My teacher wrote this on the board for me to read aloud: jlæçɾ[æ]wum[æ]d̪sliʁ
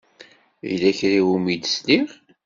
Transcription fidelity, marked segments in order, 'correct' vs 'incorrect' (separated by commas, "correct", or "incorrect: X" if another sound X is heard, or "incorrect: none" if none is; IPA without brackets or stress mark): incorrect: i, incorrect: i